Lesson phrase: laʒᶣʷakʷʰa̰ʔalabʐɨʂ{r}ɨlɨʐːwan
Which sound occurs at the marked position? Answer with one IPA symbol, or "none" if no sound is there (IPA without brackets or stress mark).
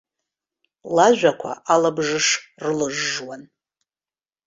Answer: r